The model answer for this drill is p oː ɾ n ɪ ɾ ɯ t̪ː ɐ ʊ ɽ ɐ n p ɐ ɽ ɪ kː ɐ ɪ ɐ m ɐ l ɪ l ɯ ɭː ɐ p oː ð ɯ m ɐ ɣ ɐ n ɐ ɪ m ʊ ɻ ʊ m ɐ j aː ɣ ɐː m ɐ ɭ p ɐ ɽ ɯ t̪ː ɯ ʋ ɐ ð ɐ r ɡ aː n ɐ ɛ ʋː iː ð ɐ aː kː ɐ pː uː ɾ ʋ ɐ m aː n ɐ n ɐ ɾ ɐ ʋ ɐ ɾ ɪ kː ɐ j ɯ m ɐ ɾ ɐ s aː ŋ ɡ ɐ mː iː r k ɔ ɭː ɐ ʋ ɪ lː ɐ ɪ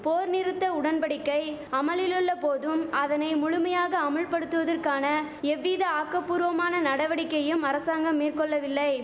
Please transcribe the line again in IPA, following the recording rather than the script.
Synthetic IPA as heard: p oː ɾ n ɪ ɾ ɯ t̪ː ɐ ʊ ɽ ɐ n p ɐ ɽ ɪ kː ɐ ɪ ɐ m ɐ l ɪ l ɯ ɭː ɐ p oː ð ɯ m ɐ ð ɐ n ɐ ɪ m ʊ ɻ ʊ m ɐ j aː ɣ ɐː m ɐ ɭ p ɐ ɽ ɯ t̪ː ɯ ʋ ɐ ð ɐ r k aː n ɐ ɛ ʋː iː ð ɐ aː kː ɐ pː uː ɾ ʋ ɐ m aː n ɐ n ɐ ɽ ɐ ʋ ɐ ɽ ɪ kː ɐ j ɯ m ɐ ɾ ɐ s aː ŋ ɡ ɐ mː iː r k ɔ ɭː ɐ ʋ ɪ lː ɐ ɪ